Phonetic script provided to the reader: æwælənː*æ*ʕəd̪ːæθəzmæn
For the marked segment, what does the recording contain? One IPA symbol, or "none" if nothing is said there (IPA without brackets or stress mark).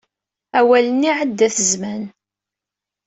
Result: i